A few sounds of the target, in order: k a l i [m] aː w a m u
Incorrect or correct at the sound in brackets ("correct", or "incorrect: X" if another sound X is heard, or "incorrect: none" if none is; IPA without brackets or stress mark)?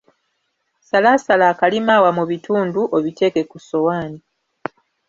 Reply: correct